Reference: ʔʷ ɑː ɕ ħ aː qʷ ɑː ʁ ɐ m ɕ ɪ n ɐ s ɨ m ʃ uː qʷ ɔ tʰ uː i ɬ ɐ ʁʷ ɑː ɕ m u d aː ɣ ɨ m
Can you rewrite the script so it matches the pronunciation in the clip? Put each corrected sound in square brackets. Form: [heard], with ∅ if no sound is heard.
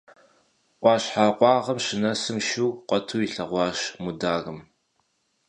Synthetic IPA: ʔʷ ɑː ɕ ħ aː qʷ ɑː ʁ ɐ m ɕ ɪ n ɐ s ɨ m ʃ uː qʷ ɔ tʰ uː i ɬ ɐ ʁʷ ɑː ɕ m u d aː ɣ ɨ m

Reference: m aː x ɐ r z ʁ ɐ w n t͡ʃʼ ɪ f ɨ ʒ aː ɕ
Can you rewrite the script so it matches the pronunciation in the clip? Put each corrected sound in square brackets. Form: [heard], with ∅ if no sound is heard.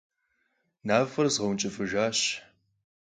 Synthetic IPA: [n] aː [f] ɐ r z ʁ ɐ w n t͡ʃʼ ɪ f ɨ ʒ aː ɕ

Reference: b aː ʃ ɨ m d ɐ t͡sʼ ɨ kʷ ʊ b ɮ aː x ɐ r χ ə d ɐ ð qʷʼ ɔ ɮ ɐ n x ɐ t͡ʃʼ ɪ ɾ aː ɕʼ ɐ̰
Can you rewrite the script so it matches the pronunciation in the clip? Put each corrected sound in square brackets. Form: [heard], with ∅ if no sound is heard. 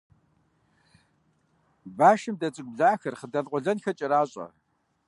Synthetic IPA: b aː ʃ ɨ m d ɐ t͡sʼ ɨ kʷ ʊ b ɮ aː x ɐ r χ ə d ɐ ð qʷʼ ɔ ɮ ɐ n x ɐ t͡ʃʼ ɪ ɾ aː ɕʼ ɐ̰

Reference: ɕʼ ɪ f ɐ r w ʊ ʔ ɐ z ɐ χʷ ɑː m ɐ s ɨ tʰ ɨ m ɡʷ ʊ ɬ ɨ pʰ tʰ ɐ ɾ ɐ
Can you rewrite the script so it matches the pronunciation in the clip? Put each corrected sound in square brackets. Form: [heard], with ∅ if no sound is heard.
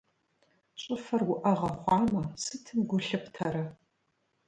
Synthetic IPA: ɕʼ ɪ f ɐ r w ʊ ʔ ɐ [ʁ] ɐ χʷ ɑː m ɐ s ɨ tʰ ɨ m ɡʷ ʊ ɬ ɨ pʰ tʰ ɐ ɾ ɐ

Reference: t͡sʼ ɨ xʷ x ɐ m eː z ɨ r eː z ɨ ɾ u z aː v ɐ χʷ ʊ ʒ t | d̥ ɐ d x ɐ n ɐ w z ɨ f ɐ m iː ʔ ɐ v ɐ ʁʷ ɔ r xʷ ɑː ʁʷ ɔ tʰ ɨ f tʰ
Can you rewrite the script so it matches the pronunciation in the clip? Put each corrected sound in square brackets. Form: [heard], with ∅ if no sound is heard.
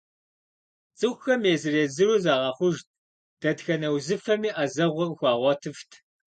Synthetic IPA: t͡sʼ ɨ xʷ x ɐ m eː z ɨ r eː z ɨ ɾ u z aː [ʁ] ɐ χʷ ʊ ʒ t | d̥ ɐ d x ɐ n ɐ w z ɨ f ɐ m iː ʔ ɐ [z] ɐ ʁʷ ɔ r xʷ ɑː ʁʷ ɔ tʰ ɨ f tʰ

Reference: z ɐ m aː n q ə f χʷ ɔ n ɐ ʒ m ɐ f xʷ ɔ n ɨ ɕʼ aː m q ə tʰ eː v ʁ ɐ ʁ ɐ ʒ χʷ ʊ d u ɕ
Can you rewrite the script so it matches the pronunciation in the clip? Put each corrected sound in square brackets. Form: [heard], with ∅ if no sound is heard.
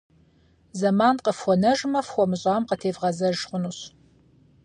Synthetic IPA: z ɐ m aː n q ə f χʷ ɔ n ɐ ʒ m ɐ f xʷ ɔ [m] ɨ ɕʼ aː m q ə tʰ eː v ʁ ɐ [z] ɐ ʒ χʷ ʊ [n] u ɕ

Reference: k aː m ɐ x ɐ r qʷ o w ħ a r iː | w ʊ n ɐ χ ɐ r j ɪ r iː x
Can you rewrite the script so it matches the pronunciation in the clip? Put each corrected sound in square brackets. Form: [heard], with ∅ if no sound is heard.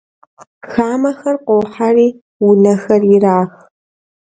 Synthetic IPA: [x] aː m ɐ x ɐ r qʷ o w ħ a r iː | w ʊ n ɐ [x] ɐ r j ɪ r [aː] x

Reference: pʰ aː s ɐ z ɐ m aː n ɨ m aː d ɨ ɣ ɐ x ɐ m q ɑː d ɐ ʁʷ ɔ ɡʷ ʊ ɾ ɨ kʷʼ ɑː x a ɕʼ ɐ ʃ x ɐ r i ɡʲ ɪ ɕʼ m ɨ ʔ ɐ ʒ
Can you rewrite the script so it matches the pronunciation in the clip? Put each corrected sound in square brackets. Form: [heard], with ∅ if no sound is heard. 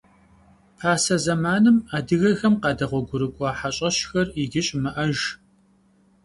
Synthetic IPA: pʰ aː s ɐ z ɐ m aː n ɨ m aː d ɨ ɣ ɐ x ɐ m q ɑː d ɐ ʁʷ ɔ ɡʷ ʊ ɾ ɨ kʷʼ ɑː [ħ] a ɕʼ ɐ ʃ x ɐ r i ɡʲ ɪ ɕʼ m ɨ ʔ ɐ ʒ

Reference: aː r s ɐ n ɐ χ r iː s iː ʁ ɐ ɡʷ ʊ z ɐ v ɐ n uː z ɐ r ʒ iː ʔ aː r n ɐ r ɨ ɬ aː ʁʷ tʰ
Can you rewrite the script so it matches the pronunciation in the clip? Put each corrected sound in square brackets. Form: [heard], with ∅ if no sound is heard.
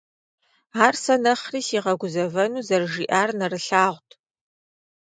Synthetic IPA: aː r s ɐ n ɐ χ r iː s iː ʁ ɐ ɡʷ ʊ z ɐ v ɐ n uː z ɐ r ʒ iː ʔ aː r n ɐ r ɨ ɬ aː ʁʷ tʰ

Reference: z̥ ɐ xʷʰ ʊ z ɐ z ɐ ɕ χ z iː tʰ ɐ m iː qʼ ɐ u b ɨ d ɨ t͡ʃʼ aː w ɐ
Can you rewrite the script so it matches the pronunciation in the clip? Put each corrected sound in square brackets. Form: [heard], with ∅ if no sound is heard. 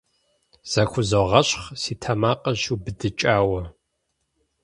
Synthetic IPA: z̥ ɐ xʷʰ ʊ z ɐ [ʁ] ɐ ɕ χ [s] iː tʰ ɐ m [aː] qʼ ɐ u b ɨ d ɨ t͡ʃʼ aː w ɐ

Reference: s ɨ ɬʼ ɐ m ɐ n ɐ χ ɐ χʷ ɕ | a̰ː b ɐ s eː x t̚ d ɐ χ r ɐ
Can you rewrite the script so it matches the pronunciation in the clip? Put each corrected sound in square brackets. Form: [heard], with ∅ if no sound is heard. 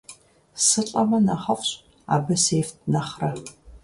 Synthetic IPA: s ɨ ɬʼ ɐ m ɐ n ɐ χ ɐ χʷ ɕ | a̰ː b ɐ s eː [f] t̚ [n] ɐ χ r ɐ

